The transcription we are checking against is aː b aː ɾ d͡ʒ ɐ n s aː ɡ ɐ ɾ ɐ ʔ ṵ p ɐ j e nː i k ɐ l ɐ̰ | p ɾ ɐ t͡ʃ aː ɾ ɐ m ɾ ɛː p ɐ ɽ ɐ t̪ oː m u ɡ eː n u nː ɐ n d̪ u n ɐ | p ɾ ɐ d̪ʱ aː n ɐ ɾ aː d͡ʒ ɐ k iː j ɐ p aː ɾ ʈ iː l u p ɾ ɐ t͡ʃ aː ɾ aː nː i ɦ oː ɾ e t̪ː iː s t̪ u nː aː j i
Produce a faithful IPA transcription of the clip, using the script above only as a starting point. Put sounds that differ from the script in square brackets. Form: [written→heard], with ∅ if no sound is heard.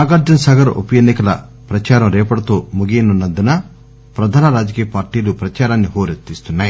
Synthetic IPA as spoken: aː [b→ɡ] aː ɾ d͡ʒ ɐ n s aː ɡ ɐ ɾ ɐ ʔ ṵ p ɐ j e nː i k ɐ l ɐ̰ | p ɾ ɐ t͡ʃ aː ɾ ɐ m ɾ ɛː p ɐ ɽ ɐ t̪ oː m u ɡ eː n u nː ɐ n d̪ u n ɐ | p ɾ ɐ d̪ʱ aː n ɐ ɾ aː d͡ʒ ɐ k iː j ɐ p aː ɾ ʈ iː l u p ɾ ɐ t͡ʃ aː ɾ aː nː i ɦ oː ɾ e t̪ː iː s t̪ u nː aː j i

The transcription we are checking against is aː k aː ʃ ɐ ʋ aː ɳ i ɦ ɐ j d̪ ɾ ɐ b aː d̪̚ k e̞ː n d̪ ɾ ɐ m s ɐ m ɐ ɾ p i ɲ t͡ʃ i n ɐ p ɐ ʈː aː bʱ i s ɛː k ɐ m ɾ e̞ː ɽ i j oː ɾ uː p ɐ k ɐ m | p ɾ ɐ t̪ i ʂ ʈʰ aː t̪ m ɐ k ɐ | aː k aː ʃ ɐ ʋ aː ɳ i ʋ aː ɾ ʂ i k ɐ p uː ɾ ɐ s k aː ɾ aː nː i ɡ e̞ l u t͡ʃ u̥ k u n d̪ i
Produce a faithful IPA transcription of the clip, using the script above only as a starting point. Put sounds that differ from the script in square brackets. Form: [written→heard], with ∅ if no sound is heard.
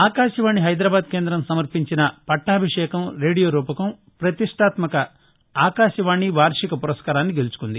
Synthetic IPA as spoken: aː k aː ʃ ɐ ʋ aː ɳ i ɦ ɐ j d̪ ɾ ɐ b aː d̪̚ k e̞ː n d̪ ɾ ɐ m s ɐ m ɐ ɾ p i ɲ t͡ʃ i n ɐ p ɐ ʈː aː bʱ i [s→ʂ] ɛː k ɐ m ɾ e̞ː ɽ i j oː ɾ uː p ɐ k ɐ m | p ɾ ɐ t̪ i ʂ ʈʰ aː t̪ m ɐ k ɐ | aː k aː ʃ ɐ ʋ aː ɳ i ʋ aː ɾ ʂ i k ɐ p [uː→u] ɾ ɐ s k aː ɾ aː nː i ɡ e̞ l u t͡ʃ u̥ k u n d̪ i

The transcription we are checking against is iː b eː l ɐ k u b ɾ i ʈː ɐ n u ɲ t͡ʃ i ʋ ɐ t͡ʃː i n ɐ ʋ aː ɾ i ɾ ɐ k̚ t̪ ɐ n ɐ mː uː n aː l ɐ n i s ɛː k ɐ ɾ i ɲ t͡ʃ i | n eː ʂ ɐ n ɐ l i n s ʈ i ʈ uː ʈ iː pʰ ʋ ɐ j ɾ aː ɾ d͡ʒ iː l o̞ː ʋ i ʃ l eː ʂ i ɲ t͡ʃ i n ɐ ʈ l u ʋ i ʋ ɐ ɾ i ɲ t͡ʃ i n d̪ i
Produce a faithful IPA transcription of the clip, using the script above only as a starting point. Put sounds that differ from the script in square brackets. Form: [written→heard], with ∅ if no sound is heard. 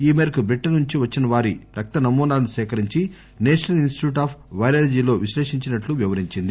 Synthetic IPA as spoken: iː [b→m] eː [l→ɾ] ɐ k u b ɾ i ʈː ɐ n u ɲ t͡ʃ i ʋ ɐ t͡ʃː i n ɐ ʋ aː ɾ i ɾ ɐ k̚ t̪ ɐ n ɐ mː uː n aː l ɐ n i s ɛː k ɐ ɾ i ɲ t͡ʃ i | n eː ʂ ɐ n ɐ l i n s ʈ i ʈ uː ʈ [iː→aː] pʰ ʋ ɐ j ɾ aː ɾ d͡ʒ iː l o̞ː ʋ i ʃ l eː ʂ i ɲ t͡ʃ i n ɐ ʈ l u ʋ i ʋ ɐ ɾ i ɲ t͡ʃ i n d̪ i

